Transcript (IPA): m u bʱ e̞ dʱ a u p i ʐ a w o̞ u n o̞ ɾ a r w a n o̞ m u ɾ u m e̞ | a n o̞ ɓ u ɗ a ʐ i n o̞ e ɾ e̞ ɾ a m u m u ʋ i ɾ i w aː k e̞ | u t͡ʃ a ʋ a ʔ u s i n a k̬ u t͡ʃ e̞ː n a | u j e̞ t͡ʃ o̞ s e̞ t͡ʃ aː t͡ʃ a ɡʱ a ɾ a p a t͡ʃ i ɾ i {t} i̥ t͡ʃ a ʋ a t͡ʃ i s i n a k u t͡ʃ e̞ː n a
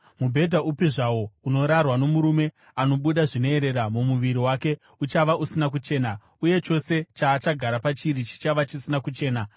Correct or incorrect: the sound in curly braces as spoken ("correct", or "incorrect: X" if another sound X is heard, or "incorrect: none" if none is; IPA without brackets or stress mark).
incorrect: t͡ʃ